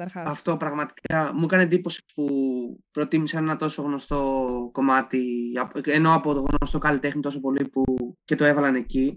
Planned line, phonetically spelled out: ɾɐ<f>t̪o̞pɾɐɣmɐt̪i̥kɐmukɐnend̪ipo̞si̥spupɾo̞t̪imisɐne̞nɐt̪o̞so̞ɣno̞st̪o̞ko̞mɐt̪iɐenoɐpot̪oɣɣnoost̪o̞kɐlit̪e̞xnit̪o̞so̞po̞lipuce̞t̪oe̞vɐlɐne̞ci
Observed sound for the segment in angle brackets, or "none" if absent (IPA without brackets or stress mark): f